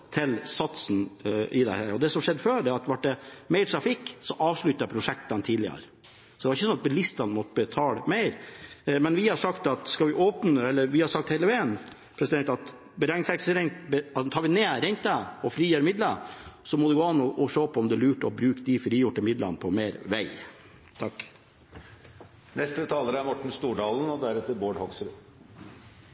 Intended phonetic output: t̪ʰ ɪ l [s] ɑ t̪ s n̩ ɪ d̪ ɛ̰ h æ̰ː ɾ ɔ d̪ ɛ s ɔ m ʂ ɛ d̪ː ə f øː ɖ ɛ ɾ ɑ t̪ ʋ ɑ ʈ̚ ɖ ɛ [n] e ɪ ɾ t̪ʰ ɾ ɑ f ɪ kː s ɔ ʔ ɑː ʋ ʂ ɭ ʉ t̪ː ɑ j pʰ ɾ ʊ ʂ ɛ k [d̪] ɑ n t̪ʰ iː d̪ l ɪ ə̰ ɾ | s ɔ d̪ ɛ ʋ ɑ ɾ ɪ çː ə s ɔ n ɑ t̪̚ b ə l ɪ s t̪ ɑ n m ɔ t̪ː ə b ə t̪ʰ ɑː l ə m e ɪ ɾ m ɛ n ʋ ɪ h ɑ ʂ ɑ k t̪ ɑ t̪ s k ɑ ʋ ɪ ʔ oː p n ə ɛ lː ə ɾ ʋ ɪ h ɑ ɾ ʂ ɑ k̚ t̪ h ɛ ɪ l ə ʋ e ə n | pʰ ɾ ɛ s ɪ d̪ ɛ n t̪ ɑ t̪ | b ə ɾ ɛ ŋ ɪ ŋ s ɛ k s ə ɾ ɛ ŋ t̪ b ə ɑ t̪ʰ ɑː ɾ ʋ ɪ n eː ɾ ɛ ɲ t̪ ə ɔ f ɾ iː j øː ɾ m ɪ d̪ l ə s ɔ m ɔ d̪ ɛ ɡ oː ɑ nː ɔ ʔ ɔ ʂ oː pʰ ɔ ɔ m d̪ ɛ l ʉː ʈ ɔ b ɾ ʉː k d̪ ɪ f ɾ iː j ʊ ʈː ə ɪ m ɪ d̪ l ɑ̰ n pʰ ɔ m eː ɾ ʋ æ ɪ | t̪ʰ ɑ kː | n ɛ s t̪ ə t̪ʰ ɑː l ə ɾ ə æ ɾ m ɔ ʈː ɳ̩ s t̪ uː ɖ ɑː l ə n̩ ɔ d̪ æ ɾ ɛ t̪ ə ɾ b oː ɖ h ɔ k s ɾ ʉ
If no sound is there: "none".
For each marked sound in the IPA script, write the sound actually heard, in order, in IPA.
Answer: s, m, t̪

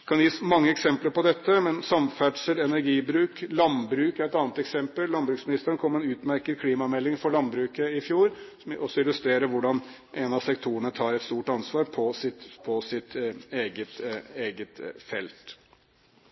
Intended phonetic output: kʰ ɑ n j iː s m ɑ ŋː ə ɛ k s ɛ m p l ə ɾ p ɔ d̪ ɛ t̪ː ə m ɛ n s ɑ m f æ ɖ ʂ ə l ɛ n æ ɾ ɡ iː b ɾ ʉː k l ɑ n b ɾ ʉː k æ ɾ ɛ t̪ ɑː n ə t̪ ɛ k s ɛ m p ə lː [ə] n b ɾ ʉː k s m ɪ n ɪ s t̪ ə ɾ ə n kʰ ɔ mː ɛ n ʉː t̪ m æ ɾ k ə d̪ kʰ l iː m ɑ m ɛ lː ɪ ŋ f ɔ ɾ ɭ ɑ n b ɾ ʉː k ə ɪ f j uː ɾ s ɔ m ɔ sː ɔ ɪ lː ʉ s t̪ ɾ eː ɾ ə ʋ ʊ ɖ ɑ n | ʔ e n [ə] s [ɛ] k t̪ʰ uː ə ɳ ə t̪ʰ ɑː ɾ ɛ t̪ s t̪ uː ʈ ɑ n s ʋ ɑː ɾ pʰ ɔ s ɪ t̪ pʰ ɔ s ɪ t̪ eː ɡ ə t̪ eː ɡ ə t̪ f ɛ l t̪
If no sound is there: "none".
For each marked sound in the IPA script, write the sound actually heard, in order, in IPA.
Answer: ɑ, ɑ, ɛ

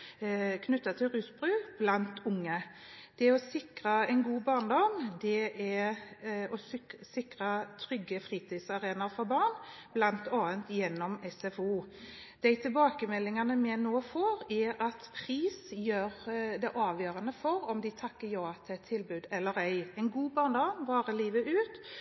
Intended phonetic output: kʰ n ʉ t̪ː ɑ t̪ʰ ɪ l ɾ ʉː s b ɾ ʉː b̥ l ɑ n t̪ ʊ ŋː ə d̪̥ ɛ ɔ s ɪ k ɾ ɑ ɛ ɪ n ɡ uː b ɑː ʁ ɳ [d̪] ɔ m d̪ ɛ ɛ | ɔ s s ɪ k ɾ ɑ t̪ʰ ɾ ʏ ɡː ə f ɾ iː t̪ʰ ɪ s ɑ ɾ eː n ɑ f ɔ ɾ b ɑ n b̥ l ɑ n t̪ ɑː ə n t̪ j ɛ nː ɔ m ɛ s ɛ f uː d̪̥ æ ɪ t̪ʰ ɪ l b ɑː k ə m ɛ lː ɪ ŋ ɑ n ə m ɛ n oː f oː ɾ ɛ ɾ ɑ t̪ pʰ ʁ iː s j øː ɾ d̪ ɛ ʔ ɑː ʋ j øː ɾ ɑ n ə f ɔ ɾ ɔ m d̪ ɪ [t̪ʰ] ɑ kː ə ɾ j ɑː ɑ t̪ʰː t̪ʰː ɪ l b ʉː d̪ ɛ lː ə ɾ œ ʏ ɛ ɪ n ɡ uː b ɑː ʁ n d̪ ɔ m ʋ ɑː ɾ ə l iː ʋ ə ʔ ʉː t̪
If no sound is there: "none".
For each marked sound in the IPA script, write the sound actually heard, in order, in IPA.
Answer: d̪, t̪ʰ

